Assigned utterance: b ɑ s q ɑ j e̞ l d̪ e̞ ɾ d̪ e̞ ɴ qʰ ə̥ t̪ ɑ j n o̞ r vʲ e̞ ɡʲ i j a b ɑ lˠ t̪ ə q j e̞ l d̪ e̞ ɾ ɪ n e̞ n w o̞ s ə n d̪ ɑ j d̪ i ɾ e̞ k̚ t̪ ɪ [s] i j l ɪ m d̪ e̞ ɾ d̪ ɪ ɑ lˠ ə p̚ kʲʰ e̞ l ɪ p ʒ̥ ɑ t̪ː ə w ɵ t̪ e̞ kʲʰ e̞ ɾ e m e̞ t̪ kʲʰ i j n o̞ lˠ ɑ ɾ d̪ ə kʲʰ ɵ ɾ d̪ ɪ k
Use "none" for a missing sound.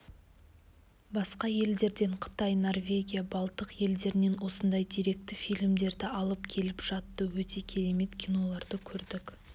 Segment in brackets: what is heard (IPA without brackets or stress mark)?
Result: f